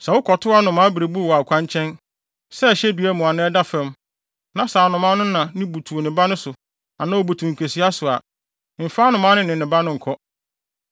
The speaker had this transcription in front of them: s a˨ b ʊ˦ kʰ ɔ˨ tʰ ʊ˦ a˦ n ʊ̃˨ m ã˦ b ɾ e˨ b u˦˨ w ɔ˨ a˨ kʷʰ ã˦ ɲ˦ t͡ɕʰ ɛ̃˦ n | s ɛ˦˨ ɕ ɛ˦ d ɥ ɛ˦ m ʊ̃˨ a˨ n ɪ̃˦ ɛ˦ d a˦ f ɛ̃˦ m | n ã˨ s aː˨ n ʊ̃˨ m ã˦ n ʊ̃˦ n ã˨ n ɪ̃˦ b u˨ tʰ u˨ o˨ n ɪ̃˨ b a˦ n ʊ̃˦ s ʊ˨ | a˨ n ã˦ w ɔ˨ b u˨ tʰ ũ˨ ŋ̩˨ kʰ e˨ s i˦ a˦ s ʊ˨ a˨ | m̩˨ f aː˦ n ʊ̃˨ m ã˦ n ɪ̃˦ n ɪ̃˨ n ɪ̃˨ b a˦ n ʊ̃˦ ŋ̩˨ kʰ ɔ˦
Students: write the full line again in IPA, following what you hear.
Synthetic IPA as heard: s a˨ w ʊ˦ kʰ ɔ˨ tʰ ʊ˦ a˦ n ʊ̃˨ m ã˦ b ɾ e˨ b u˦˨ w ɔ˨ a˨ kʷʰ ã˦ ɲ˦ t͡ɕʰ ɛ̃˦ n | s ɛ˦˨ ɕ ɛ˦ d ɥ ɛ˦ m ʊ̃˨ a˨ n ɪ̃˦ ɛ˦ d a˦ f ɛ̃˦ m | n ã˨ s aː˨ n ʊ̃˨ m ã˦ n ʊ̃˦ n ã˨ n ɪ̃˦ b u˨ tʰ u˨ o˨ n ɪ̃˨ b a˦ n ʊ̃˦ s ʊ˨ | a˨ n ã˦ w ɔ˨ b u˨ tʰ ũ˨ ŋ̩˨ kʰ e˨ s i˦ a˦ s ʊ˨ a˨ | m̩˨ f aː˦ n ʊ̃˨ m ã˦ n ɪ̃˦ n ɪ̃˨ n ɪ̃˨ b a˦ n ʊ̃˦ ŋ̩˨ kʰ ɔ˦